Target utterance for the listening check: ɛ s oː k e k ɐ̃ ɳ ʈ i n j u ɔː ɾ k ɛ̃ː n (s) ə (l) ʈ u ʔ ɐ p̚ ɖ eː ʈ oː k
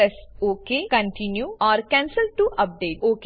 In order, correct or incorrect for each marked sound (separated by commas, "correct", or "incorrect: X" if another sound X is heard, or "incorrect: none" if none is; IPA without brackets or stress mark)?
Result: correct, correct